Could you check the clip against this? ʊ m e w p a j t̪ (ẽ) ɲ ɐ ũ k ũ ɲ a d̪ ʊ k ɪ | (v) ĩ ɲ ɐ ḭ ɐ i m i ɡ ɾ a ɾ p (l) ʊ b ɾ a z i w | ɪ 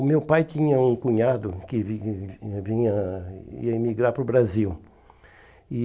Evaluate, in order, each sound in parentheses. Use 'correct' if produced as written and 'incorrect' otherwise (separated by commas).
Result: incorrect, correct, incorrect